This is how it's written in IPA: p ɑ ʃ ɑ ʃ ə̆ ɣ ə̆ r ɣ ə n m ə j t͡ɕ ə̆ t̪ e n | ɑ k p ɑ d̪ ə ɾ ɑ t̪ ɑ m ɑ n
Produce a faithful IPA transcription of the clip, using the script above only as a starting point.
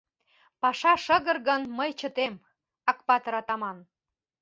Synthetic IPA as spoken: p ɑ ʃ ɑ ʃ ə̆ ɣ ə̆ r ɣ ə n m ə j t͡ɕ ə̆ t̪ e m | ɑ k p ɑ t̪ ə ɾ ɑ t̪ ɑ m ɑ n